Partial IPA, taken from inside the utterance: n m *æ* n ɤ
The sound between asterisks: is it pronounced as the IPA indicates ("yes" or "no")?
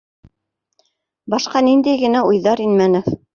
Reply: yes